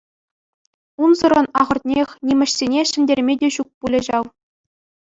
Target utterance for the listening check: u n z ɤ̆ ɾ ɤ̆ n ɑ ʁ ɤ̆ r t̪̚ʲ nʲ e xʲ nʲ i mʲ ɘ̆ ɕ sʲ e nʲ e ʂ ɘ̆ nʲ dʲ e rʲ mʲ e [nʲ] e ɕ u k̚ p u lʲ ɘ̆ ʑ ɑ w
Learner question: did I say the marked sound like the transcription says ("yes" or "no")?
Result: no